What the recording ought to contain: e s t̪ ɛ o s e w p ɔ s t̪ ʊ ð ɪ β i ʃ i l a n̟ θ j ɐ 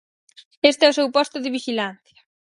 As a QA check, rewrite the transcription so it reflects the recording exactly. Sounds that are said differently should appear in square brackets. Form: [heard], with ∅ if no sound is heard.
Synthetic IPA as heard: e s t̪ ɛ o s e w p ɔ s t̪ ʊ ð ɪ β i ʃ i l a n̟ θ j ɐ